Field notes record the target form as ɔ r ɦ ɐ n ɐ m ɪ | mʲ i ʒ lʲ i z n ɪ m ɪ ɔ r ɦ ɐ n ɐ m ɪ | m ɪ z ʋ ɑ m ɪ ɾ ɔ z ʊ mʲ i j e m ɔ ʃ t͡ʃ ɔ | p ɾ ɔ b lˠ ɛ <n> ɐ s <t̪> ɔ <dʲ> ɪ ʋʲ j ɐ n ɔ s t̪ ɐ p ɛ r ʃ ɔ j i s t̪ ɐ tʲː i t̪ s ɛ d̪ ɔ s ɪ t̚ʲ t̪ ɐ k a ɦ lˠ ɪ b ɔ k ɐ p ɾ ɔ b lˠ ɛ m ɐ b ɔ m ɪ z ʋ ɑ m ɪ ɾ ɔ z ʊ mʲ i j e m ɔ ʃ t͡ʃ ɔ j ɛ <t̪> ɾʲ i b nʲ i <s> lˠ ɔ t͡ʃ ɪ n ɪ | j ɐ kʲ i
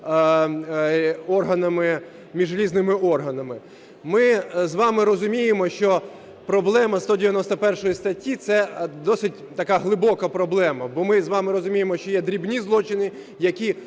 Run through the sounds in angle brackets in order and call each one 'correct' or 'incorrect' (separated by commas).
incorrect, correct, correct, incorrect, incorrect